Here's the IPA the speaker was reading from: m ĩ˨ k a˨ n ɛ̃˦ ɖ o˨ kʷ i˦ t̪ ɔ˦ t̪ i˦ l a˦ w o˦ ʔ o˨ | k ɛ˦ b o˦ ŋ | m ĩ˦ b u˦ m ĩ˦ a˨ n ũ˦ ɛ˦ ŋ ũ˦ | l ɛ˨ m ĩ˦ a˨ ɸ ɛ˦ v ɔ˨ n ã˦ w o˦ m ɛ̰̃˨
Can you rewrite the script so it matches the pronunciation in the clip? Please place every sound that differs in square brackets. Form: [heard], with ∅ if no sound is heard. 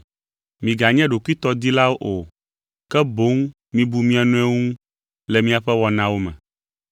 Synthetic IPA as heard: m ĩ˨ [ɡ] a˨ [ɲ] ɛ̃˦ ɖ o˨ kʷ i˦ t̪ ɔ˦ [d̪] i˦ l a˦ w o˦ ʔ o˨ | k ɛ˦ b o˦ ŋ | m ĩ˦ b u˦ m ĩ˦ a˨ n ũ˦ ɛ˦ ŋ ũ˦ | l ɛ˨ m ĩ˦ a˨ ɸ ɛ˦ [w] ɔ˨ n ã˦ w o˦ m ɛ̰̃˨

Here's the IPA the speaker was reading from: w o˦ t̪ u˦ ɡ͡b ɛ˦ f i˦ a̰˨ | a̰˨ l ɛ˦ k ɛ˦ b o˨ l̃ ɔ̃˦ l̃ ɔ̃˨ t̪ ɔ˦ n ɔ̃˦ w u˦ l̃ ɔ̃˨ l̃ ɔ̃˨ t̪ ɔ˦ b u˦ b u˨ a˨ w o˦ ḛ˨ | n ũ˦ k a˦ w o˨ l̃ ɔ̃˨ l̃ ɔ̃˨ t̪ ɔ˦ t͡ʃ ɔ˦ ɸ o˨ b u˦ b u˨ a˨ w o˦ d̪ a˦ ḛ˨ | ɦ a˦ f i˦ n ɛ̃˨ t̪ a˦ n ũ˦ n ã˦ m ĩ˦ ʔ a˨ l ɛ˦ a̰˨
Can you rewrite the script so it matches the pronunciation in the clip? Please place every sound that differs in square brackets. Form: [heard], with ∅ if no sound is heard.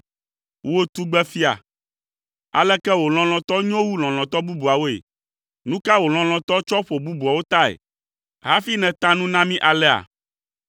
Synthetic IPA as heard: w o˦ t̪ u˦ ɡ͡b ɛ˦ f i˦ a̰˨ | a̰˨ l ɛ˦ k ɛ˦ [w] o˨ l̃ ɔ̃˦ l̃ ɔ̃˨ t̪ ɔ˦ [ɲ] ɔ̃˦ w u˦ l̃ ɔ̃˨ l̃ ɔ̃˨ t̪ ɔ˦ b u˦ b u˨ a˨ w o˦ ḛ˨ | n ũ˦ k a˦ w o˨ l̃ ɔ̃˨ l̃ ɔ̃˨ t̪ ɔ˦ t͡ʃ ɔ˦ ɸ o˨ b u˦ b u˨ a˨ w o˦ [t̪] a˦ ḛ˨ | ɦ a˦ f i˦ n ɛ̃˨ t̪ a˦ n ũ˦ n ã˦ m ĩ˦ ʔ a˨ l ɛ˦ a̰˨

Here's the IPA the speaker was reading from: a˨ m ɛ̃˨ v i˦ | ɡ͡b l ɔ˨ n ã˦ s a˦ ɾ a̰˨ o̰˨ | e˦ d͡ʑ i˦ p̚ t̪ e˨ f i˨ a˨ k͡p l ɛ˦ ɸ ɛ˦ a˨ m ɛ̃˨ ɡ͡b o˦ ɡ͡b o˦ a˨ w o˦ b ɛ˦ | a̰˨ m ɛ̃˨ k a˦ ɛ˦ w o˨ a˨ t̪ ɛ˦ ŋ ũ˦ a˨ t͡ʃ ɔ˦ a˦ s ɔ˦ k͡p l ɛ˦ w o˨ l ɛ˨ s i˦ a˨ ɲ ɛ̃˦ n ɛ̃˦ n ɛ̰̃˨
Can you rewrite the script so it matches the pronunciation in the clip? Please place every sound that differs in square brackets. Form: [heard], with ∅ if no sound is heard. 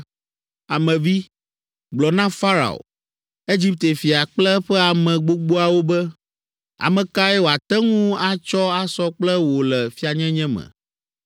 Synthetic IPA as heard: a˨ m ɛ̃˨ v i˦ | ɡ͡b l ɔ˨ n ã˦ [f] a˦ ɾ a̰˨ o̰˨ | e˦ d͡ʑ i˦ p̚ t̪ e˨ f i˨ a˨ k͡p l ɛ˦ ɸ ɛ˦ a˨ m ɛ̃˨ ɡ͡b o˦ ɡ͡b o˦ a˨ w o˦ b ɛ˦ | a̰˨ m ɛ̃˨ k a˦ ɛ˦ w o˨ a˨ t̪ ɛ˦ ŋ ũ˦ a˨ t͡ʃ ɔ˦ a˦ s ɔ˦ k͡p l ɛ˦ w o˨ l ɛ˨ [f] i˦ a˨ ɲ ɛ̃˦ [ɲ] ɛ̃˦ [m] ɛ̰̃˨

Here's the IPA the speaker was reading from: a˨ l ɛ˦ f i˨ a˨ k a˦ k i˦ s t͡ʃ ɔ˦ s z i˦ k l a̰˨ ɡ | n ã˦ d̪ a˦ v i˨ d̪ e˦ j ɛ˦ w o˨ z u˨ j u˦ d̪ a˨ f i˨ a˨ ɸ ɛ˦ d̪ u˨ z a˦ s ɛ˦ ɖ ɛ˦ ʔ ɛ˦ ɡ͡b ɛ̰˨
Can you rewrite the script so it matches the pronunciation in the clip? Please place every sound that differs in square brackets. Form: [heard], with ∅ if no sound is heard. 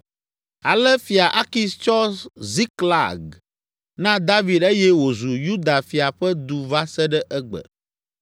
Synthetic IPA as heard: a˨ l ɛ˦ f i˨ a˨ [ʔ] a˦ k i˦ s t͡ʃ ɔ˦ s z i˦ k l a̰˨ ɡ | n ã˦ d̪ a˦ v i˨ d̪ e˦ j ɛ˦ w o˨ z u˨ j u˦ d̪ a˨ f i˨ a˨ ɸ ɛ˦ d̪ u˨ [v] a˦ s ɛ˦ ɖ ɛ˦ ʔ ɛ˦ ɡ͡b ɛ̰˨

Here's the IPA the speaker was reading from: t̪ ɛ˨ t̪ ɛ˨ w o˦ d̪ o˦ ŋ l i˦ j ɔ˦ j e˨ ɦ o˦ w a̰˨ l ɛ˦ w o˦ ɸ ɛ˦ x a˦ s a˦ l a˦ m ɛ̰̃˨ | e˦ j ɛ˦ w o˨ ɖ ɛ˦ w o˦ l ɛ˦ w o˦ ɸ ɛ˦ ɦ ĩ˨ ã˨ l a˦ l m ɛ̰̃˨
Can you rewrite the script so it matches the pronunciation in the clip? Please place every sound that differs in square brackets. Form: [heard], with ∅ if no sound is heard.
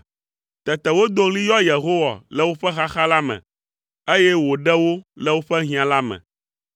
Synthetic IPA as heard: t̪ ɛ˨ t̪ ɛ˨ w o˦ d̪ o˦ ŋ l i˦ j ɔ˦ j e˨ ɦ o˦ w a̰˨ l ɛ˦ w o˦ ɸ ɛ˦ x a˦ [x] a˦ l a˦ m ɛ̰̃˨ | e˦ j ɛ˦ w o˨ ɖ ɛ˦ w o˦ l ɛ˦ w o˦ ɸ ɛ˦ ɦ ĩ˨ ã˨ l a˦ [∅] m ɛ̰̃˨

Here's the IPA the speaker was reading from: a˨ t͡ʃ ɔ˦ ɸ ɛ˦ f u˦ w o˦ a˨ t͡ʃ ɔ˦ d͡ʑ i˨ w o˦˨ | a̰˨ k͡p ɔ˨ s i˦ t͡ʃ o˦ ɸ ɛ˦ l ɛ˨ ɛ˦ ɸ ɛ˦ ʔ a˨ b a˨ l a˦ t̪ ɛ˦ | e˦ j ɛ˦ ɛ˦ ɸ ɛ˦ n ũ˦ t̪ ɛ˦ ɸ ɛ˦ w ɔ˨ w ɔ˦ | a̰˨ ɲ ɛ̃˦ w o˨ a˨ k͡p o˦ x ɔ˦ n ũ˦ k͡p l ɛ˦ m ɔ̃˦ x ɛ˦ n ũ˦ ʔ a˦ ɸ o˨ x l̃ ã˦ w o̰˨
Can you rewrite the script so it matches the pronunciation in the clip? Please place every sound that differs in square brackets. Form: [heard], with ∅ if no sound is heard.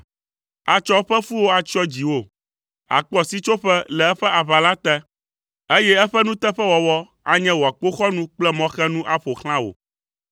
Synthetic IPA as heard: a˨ t͡ʃ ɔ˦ ɸ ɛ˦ f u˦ w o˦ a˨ t͡ʃ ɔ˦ d͡ʑ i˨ w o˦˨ | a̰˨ k͡p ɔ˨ s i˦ t͡ʃ o˦ ɸ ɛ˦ l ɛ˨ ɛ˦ ɸ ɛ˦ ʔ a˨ [β] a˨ l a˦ t̪ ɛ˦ | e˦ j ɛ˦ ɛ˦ ɸ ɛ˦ n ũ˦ t̪ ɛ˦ ɸ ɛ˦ w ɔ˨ w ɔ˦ | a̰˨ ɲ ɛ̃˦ w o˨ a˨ k͡p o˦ x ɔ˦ n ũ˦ k͡p l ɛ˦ m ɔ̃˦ x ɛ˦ n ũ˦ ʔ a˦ ɸ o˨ x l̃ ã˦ w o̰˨

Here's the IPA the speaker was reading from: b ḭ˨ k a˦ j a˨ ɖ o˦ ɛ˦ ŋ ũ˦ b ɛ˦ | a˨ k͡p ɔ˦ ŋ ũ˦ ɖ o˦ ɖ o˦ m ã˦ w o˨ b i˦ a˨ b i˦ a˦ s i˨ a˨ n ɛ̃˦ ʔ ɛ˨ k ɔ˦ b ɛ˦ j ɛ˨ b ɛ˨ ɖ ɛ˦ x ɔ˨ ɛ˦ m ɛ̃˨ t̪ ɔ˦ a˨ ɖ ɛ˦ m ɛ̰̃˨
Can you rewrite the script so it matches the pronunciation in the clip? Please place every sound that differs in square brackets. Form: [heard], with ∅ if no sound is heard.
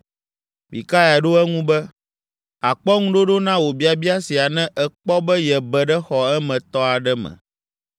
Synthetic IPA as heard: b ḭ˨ k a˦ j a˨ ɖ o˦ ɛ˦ ŋ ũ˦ b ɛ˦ | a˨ k͡p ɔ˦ ŋ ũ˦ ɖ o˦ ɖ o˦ [n] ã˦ w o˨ b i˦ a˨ b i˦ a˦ s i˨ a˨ n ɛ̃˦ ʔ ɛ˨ [k͡p] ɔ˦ b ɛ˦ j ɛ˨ b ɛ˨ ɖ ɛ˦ x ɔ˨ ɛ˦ m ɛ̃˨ t̪ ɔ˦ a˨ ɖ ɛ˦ m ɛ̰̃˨

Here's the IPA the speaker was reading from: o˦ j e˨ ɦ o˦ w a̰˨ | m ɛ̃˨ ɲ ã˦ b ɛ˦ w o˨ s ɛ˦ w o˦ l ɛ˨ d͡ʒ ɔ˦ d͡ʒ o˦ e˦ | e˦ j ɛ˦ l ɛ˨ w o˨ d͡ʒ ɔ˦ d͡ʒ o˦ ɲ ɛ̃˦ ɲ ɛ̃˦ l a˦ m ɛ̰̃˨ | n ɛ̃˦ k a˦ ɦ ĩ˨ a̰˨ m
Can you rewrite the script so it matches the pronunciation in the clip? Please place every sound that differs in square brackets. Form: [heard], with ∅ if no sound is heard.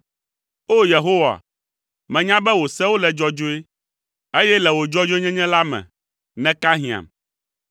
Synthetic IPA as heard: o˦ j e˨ ɦ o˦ w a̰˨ | m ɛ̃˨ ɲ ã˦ b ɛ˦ w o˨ s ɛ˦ w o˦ l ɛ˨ d͡ʒ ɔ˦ d͡ʒ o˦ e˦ | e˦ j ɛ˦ l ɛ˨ w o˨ d͡ʒ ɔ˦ d͡ʒ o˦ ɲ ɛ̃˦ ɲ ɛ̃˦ l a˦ m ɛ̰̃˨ | n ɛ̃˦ k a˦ ɦ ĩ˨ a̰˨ m

